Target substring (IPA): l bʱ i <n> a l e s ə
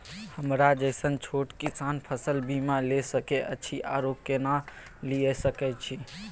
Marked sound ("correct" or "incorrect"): incorrect